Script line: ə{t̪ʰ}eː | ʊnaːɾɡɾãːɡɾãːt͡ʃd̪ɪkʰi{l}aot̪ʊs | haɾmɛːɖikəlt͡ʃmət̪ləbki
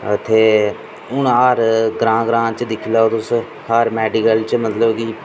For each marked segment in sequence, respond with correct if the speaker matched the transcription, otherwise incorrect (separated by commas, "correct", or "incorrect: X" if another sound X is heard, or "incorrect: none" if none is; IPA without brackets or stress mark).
correct, correct